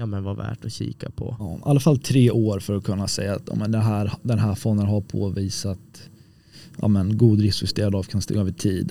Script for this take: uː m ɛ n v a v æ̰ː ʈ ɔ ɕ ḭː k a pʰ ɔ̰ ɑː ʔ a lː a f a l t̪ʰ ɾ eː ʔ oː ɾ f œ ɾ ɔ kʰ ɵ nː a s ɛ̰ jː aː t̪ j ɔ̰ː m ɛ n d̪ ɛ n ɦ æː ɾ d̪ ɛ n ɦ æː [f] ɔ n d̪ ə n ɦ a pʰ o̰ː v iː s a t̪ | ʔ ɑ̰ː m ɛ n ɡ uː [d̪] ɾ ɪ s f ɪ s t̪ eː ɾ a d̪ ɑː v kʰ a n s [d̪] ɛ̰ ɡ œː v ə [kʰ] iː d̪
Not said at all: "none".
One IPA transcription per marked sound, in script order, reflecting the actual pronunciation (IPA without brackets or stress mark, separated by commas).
f, d̪, t̪, ʈʰ